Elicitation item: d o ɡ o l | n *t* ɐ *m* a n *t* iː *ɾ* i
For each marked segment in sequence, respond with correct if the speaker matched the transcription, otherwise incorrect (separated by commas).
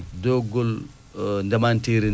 incorrect, correct, correct, correct